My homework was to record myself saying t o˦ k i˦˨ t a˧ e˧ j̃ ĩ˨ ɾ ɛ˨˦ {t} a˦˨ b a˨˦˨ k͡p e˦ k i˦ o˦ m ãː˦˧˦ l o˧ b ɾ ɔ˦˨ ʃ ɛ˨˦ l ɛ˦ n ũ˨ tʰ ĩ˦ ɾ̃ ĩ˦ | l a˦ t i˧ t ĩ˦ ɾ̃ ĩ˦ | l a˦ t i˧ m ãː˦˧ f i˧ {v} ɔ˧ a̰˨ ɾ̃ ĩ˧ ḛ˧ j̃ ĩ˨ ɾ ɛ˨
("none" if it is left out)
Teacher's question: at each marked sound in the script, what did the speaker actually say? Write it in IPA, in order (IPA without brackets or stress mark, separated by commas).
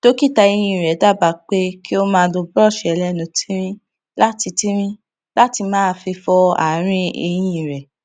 d, f